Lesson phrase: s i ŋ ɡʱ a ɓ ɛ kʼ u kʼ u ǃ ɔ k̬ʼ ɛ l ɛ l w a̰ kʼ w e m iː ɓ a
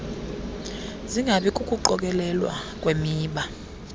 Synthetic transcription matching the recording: z i ŋ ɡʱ a ɓ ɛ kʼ u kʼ u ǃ ɔ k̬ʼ ɛ l ɛ l w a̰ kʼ w e m iː ɓ a